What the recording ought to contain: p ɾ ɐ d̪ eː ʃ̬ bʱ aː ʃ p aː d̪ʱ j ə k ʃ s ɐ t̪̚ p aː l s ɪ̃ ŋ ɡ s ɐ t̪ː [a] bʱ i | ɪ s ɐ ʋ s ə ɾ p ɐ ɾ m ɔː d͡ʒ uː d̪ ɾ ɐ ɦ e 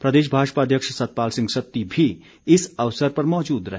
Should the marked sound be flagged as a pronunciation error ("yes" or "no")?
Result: yes